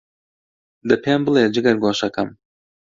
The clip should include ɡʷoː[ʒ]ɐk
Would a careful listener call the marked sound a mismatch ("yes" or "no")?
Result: yes